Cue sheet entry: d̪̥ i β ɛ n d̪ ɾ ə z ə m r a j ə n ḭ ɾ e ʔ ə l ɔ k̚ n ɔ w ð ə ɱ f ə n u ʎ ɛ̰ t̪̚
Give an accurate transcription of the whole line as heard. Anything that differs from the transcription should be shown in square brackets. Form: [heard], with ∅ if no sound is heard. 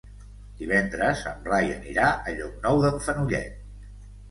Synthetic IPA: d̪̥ i β ɛ n d̪ ɾ ə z ə m r a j ə n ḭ ɾ [a] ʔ ə [ʎ] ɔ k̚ n ɔ w ð ə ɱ f ə n u ʎ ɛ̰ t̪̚